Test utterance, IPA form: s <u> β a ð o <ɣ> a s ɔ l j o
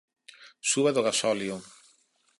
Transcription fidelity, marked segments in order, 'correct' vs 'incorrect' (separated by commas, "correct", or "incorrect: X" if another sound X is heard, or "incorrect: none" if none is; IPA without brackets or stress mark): correct, correct